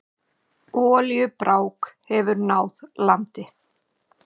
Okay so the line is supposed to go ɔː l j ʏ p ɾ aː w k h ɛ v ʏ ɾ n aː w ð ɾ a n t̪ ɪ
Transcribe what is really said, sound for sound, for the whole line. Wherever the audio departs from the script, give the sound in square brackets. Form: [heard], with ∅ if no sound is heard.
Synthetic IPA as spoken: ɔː l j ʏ p ɾ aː w k h ɛ v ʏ ɾ n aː w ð [l] a n t̪ ɪ